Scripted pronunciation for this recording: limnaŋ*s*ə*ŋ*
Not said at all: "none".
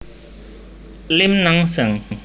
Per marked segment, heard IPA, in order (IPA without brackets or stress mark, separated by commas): s, ŋ